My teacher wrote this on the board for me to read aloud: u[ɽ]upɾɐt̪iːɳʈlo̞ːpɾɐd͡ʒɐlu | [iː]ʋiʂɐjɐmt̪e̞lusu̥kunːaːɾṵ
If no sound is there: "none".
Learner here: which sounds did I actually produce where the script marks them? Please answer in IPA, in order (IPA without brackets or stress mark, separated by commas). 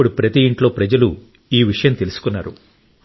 ɽ, iː